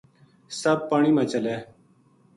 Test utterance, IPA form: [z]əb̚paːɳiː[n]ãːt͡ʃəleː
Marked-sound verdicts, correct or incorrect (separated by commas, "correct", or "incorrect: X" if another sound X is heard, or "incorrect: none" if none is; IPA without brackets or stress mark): incorrect: s, incorrect: m